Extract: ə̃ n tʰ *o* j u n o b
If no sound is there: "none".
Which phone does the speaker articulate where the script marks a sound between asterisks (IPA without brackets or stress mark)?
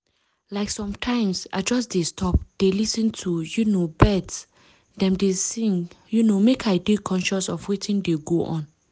u